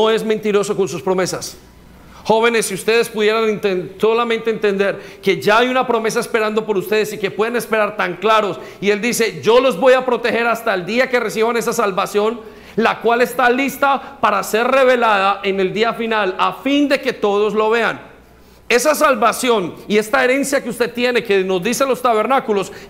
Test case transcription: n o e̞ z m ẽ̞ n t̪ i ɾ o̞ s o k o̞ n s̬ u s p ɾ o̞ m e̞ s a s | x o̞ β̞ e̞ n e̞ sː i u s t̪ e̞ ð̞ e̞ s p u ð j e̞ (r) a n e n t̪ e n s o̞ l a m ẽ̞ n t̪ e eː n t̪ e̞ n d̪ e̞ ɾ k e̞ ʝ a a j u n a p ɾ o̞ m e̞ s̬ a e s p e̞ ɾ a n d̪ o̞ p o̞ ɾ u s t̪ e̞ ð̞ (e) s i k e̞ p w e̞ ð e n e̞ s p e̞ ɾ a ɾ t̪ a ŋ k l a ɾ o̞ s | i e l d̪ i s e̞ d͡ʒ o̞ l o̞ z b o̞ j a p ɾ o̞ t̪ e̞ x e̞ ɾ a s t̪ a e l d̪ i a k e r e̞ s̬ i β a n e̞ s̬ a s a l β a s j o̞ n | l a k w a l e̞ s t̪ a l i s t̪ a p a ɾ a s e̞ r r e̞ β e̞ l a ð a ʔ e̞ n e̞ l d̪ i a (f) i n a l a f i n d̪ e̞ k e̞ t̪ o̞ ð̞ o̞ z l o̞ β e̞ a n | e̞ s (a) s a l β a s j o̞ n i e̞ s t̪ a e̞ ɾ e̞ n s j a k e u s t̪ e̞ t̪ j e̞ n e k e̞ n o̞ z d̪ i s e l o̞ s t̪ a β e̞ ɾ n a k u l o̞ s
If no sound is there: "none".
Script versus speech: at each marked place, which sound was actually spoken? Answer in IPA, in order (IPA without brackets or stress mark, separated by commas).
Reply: ɾ, e, f, a